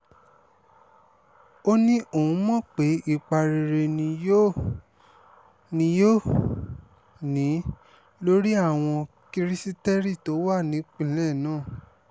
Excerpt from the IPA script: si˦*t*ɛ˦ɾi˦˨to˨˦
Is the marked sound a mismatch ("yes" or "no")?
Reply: no